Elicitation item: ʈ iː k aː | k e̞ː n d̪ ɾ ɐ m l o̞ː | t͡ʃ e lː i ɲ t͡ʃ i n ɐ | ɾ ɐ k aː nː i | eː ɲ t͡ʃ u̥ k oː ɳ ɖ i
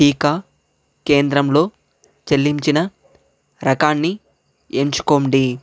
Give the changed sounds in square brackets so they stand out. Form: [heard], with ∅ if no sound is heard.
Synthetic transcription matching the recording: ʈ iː k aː | k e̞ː n d̪ ɾ ɐ m l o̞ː | t͡ʃ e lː i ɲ t͡ʃ i n ɐ | ɾ ɐ k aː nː i | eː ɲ t͡ʃ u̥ k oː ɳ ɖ i